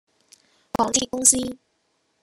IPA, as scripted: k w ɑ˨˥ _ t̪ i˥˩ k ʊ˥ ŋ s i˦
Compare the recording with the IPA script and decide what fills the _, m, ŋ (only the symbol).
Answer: ŋ